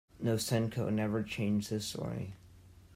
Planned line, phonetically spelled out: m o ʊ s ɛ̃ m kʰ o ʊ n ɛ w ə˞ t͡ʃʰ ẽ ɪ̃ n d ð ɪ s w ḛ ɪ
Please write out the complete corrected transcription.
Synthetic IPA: n o ʊ s ɛ̃ n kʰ o ʊ n ɛ v ə˞ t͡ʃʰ ẽ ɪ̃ n d͡ʒ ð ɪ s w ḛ ɪ